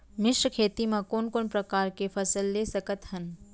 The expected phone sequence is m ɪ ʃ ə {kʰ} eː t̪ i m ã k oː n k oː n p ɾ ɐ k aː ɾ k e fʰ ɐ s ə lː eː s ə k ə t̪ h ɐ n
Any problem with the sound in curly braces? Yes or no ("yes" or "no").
no